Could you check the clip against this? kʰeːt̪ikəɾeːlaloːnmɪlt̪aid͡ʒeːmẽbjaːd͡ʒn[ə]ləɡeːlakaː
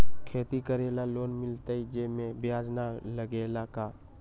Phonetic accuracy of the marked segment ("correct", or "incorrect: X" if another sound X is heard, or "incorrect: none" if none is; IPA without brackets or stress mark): incorrect: a